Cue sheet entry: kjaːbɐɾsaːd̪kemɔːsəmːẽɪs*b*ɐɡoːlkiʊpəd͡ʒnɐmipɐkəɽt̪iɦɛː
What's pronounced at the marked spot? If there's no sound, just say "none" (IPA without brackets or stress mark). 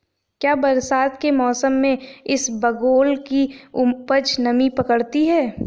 b